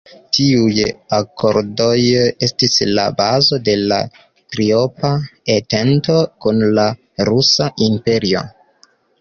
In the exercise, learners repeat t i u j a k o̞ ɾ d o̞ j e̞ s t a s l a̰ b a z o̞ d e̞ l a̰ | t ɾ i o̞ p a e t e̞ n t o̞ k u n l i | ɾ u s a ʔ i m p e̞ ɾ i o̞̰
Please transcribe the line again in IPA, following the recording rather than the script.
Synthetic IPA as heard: t i u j a k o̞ ɾ d o̞ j e̞ s t i s l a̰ b a z o̞ d e̞ l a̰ | t ɾ i o̞ p a e t e̞ n t o̞ k u n l a | ɾ u s a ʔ i m p e̞ ɾ i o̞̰